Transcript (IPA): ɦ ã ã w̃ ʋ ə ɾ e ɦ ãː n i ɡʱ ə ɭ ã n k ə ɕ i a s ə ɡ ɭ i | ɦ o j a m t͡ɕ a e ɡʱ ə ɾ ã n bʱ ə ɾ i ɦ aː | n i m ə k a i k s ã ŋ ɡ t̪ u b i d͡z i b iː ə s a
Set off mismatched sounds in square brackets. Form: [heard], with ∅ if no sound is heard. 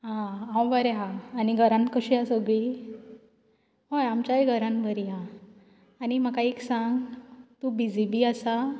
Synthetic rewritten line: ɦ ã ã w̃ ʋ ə ɾ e ɦ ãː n i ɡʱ ə [ɾ] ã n k ə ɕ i a s ə ɡ ɭ i | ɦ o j a m t͡ɕ a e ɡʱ ə ɾ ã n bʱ ə ɾ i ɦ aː | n i m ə k a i k s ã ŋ ɡ t̪ u b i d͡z i b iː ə s a